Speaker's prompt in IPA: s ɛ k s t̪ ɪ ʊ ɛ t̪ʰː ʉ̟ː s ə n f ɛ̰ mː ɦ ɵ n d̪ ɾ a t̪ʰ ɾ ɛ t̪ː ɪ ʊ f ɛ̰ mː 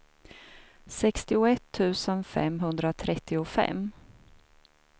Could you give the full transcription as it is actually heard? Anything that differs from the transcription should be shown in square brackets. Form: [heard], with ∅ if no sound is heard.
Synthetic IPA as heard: s ɛ k s t̪ ɪ ʊ ɛ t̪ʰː ʉ̟ː s ə n f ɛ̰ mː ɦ ɵ n d̪ ɾ a t̪ʰ ɾ ɛ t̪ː ɪ ʊ f ɛ̰ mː